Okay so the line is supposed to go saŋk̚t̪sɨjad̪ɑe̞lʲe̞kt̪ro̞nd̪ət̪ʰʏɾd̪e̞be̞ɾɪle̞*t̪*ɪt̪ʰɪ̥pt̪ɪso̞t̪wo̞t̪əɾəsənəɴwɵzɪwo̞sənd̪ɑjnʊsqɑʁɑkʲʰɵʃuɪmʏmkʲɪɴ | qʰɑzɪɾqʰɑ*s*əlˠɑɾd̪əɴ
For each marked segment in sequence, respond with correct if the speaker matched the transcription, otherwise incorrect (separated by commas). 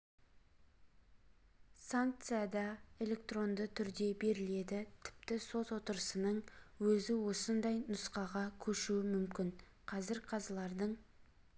incorrect, incorrect